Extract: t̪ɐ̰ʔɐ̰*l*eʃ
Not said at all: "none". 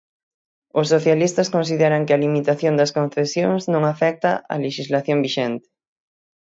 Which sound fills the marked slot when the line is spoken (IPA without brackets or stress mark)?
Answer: l